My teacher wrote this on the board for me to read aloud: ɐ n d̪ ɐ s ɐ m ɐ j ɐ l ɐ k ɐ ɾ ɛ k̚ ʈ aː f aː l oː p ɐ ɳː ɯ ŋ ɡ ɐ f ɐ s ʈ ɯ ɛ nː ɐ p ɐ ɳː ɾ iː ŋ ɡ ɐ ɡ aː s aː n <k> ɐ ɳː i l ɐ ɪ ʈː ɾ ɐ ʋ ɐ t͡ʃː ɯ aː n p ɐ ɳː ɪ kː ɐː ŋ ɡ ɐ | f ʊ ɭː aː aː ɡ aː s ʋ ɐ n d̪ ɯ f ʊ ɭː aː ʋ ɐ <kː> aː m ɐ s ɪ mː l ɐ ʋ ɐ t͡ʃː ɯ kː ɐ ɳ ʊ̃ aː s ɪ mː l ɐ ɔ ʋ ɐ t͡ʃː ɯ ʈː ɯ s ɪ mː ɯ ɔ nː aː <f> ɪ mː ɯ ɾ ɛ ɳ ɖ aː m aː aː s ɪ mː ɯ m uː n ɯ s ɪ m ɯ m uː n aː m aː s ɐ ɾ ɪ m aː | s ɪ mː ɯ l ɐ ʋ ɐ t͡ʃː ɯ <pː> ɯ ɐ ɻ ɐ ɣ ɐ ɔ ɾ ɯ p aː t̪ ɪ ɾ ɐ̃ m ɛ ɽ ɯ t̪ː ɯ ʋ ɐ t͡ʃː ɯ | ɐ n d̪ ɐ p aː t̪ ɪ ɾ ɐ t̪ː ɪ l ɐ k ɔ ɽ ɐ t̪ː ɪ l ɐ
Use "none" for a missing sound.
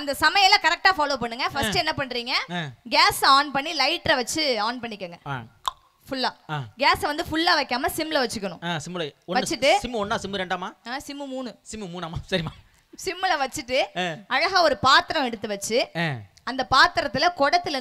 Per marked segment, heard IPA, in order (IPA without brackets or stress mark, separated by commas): p, kː, s, ʈː